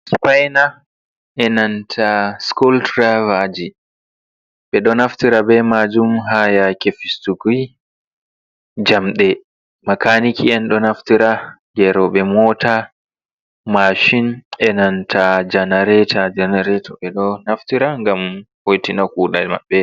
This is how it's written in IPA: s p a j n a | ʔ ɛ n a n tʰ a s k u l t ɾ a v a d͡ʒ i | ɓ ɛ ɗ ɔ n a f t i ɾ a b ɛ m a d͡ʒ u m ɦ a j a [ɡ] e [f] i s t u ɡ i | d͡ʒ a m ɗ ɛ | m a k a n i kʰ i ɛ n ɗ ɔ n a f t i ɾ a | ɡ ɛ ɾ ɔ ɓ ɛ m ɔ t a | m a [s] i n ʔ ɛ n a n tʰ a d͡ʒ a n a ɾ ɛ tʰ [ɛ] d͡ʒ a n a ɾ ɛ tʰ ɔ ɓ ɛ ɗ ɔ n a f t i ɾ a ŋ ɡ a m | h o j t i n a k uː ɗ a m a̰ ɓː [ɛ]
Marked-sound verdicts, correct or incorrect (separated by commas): incorrect, correct, incorrect, incorrect, correct